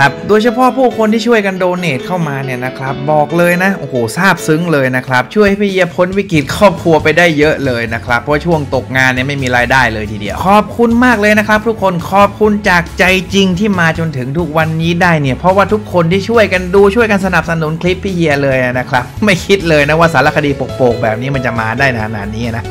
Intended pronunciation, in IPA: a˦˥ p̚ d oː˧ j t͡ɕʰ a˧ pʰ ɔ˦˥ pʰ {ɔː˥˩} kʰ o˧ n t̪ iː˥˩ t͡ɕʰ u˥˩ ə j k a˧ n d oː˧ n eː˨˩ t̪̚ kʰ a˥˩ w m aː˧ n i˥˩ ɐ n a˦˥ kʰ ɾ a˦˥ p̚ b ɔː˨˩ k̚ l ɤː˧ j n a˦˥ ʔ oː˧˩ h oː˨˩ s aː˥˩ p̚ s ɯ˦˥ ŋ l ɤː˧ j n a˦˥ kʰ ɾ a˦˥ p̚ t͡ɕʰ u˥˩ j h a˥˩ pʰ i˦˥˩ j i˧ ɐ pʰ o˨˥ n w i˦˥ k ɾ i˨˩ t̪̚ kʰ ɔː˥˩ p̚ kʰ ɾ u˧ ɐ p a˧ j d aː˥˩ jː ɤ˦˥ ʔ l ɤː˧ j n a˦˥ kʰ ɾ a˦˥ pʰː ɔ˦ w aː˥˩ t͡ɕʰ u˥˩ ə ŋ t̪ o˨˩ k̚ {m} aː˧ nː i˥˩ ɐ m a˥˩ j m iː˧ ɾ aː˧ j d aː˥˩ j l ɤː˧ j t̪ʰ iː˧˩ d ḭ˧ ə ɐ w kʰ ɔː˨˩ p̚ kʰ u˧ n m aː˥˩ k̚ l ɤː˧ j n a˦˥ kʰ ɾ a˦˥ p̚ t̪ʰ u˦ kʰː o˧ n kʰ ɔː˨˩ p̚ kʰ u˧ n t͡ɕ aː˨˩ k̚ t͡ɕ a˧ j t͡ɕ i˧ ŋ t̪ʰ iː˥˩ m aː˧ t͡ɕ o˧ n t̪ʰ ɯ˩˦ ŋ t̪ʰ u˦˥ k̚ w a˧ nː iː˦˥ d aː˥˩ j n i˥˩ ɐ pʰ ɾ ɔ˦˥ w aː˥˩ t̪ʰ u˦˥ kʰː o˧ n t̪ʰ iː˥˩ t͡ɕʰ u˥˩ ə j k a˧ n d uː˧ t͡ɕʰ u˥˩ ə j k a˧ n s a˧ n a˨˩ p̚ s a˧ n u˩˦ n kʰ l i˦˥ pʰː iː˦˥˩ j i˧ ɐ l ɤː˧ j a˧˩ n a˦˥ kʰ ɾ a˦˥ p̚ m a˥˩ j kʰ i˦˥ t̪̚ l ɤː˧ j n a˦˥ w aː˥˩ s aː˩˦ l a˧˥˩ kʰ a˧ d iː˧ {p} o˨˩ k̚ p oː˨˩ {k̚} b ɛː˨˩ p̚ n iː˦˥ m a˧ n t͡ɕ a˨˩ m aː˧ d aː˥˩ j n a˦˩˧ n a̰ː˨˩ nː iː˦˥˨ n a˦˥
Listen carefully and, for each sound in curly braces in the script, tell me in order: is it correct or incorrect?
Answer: incorrect: uː˥˩, incorrect: ŋ, correct, correct

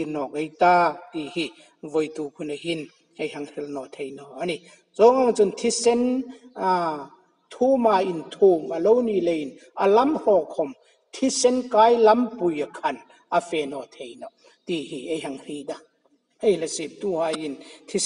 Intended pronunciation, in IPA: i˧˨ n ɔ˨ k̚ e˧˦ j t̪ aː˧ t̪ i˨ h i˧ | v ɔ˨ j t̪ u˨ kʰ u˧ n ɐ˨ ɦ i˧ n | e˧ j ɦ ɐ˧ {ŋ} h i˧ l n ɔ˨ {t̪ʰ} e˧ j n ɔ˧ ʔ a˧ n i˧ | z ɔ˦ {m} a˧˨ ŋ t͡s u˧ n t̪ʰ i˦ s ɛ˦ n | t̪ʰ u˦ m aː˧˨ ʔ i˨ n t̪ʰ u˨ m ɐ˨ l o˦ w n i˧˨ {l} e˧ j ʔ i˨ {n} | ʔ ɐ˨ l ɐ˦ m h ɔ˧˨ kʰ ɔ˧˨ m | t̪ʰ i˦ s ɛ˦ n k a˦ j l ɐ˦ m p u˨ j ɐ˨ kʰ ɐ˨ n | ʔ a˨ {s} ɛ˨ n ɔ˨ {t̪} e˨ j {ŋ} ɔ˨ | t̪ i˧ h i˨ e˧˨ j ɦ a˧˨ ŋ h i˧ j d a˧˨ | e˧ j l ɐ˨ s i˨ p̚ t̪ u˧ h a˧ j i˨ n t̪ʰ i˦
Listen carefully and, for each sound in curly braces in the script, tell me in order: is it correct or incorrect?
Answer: correct, correct, incorrect: ŋ, correct, correct, incorrect: f, incorrect: t̪ʰ, incorrect: n

